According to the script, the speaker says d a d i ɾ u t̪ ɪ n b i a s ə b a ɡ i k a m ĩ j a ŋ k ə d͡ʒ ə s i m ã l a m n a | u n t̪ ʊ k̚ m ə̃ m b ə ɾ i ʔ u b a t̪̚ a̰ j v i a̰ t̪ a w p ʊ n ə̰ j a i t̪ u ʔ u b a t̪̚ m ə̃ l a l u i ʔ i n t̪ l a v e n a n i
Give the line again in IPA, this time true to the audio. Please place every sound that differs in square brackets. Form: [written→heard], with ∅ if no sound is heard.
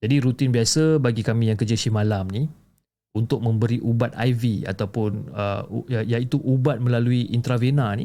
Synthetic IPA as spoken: [d→d͡ʒ] a d i ɾ u t̪ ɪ n b i a s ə b a ɡ i k a m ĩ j a ŋ k ə d͡ʒ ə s i m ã l a m n [a→i] | u n t̪ ʊ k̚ m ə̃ m b ə ɾ i ʔ u b a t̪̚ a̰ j v i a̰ t̪ a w p ʊ n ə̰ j a i t̪ u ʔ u b a t̪̚ m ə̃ l a l u i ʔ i n t̪ [l→ɾ] a v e n a n i